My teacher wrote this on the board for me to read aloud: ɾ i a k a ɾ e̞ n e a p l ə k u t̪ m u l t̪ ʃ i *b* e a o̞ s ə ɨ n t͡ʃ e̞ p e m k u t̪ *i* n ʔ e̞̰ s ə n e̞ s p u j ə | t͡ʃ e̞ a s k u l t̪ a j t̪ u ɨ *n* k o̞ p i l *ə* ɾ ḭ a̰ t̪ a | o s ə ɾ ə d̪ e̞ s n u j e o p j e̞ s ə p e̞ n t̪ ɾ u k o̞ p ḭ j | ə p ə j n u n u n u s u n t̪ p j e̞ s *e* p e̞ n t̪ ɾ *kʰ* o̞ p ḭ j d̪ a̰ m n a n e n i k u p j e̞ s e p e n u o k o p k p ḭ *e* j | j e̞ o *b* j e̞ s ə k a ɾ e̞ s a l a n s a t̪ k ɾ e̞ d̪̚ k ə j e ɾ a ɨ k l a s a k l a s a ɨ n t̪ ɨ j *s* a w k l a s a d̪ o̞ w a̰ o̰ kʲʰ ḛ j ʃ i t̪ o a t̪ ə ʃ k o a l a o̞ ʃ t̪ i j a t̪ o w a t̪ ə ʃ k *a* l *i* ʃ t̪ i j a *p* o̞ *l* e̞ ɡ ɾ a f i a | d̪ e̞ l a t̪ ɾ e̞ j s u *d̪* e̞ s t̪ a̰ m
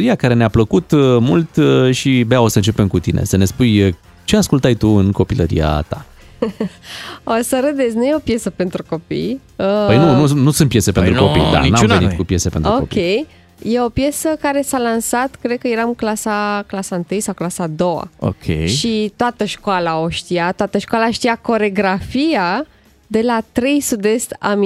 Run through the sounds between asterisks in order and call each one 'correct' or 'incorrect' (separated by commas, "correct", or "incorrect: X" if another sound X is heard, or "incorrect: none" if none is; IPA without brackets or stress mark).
correct, correct, correct, correct, correct, incorrect: k, correct, incorrect: p, correct, correct, incorrect: a, incorrect: k, incorrect: ɾ, correct